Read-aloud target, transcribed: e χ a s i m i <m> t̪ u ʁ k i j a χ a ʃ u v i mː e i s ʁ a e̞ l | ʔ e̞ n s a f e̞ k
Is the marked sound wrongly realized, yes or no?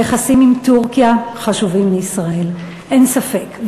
no